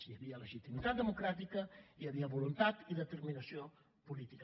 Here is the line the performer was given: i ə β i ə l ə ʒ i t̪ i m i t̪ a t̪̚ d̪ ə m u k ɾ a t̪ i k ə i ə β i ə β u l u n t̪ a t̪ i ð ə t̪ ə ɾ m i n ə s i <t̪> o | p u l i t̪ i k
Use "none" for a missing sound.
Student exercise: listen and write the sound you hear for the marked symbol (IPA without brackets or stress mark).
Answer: none